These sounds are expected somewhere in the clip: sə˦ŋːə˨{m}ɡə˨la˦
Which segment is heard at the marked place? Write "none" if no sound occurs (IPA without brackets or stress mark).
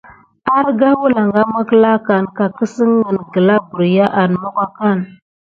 n